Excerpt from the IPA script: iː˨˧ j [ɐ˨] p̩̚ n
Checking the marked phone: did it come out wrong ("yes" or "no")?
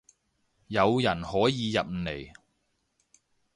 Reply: no